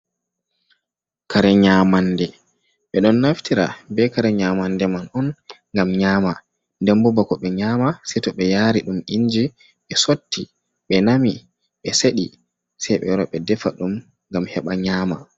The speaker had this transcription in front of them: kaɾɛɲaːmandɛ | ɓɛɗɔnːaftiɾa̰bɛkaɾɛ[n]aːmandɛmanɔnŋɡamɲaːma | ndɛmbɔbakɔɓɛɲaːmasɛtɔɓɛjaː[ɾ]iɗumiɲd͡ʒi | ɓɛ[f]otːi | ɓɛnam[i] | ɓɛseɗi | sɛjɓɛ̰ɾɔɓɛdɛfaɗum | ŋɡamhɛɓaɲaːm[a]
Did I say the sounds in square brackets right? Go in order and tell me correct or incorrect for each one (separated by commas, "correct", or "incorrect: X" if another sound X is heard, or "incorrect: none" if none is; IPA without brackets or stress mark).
incorrect: ɲ, correct, incorrect: s, correct, correct